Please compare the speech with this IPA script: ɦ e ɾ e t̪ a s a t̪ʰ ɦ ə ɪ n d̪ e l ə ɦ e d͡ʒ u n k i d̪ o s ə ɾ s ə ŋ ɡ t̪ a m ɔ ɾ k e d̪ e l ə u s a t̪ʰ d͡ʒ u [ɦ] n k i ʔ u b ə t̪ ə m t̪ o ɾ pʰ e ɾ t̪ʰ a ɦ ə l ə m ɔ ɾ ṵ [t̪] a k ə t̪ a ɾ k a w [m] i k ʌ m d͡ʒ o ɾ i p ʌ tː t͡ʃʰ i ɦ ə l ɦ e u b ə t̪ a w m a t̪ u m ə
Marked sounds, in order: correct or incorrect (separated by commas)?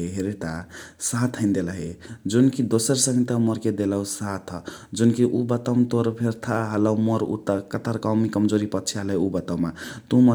incorrect, correct, correct